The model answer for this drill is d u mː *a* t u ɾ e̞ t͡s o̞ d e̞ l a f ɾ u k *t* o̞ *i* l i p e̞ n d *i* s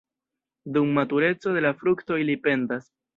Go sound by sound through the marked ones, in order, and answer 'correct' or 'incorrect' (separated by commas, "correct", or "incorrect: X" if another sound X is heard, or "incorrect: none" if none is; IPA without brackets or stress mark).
correct, correct, correct, incorrect: a